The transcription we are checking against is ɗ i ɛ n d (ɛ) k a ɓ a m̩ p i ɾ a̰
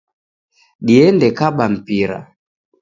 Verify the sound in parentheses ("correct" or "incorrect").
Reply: correct